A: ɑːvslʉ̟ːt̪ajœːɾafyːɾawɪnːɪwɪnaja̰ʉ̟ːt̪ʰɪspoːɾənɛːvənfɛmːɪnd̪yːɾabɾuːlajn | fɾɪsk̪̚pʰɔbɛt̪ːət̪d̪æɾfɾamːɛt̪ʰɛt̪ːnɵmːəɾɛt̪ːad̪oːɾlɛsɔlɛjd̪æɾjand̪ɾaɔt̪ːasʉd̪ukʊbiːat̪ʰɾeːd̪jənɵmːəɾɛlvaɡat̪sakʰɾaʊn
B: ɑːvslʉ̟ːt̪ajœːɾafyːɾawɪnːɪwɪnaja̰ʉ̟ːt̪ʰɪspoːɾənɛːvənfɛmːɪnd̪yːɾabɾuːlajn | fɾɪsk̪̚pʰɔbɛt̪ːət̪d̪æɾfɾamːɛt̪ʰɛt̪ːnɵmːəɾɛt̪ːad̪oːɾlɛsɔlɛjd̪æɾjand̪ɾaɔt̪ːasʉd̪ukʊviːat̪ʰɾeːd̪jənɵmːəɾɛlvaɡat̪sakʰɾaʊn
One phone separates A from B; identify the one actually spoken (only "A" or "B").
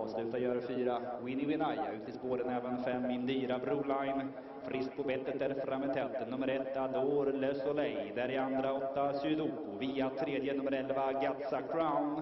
B